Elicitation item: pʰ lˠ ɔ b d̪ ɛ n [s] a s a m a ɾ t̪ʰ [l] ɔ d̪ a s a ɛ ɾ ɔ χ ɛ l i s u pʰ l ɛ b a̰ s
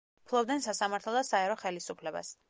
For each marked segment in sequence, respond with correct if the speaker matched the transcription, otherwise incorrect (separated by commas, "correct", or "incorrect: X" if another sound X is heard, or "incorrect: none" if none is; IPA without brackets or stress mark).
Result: correct, correct